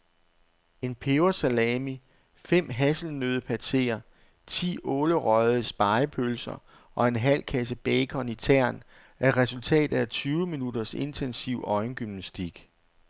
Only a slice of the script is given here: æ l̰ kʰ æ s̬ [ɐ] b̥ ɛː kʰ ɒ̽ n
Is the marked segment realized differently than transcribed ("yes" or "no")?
yes